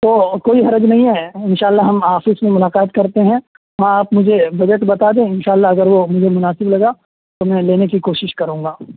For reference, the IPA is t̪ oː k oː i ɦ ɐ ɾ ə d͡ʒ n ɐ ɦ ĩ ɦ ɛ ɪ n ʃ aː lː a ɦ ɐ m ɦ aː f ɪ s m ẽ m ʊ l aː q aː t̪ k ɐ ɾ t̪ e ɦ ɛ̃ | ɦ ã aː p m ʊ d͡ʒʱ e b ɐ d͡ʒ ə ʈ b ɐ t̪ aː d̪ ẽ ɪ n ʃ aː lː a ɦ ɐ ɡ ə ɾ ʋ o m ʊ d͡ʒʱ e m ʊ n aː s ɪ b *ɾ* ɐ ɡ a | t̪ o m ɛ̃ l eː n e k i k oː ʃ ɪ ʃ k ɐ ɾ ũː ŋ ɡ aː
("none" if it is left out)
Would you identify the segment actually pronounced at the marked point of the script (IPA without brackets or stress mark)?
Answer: l